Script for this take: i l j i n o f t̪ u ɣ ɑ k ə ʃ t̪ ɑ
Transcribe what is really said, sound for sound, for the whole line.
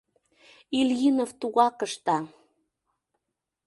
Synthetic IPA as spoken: i l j i n o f t̪ u ɣ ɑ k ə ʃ t̪ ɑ